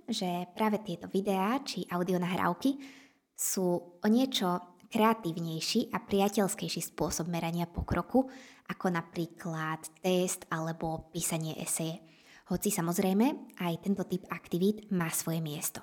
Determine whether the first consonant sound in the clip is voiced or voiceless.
voiced